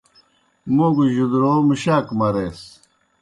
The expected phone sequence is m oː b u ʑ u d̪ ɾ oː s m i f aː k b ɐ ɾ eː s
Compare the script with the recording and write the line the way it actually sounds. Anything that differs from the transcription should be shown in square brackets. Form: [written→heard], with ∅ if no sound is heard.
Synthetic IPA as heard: m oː [b→ɡ] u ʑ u d̪ ɾ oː [s→∅] m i [f→ɕ] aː k [b→m] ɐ ɾ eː s